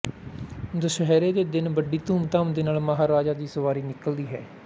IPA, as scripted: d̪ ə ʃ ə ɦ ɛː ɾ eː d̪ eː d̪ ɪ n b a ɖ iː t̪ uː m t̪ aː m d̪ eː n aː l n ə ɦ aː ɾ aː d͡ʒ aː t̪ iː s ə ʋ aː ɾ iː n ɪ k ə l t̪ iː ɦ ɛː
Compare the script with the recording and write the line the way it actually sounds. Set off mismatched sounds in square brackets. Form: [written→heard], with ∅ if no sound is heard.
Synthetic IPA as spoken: d̪ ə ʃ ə ɦ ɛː ɾ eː d̪ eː d̪ ɪ n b [a→ə] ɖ iː t̪ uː m t̪ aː m d̪ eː n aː l [n→m] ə ɦ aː ɾ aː d͡ʒ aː [t̪→d̪] iː s ə ʋ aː ɾ iː n ɪ k ə l [t̪→d̪] iː ɦ ɛː